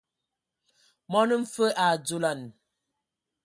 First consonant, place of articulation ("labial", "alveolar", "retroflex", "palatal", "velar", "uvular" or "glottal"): labial